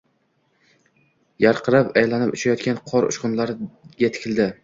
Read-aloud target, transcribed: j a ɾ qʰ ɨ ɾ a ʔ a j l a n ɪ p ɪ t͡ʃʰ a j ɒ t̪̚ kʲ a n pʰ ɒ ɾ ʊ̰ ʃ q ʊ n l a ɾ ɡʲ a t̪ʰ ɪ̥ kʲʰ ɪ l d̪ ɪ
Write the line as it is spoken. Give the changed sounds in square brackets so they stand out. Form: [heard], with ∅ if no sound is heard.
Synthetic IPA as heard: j a ɾ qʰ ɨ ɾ a [p] a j l a n ɪ p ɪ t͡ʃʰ a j ɒ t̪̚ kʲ a n [qʰ] ɒ ɾ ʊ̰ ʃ q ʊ n l a ɾ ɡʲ a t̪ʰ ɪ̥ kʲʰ ɪ l d̪ ɪ